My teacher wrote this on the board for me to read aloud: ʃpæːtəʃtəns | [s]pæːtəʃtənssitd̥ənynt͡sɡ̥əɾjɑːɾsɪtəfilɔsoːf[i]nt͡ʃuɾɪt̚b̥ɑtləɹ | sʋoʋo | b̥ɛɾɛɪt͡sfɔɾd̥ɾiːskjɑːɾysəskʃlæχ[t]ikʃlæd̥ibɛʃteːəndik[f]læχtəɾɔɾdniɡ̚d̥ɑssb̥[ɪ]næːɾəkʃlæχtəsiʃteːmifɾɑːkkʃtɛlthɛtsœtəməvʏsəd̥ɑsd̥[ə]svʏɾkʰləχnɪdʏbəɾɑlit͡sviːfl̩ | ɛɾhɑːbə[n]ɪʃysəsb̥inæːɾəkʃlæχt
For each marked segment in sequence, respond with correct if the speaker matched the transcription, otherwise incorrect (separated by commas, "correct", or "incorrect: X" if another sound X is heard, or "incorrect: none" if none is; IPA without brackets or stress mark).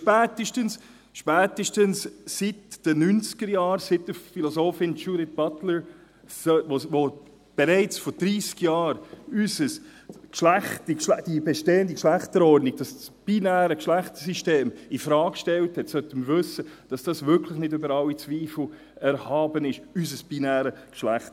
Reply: incorrect: ʃ, incorrect: ɪ, correct, incorrect: ʃ, incorrect: i, incorrect: ɑ, correct